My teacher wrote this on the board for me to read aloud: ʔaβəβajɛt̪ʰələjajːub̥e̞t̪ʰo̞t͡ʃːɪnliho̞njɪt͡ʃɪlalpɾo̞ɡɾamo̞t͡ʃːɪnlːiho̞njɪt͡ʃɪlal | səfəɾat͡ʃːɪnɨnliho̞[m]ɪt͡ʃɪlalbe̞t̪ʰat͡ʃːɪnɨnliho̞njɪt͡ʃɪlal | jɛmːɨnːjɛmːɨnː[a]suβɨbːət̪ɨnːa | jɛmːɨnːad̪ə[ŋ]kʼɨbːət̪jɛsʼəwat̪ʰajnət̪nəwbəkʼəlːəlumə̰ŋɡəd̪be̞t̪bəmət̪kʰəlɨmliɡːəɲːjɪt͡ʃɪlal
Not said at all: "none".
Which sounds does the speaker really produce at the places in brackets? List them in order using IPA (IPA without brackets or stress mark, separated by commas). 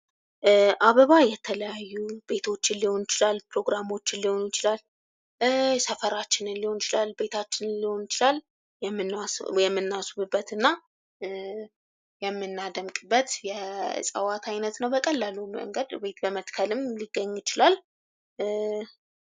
n, a, m